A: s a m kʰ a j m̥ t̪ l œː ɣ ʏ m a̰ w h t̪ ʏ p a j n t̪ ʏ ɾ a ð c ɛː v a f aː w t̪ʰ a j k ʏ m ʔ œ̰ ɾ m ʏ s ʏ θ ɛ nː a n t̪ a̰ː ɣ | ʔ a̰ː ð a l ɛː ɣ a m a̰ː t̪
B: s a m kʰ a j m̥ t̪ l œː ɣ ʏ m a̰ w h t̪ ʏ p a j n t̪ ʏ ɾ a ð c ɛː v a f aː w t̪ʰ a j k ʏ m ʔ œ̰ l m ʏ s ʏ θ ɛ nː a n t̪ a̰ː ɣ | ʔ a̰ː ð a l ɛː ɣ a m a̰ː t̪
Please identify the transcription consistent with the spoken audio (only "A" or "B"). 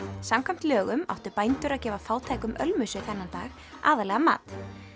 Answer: B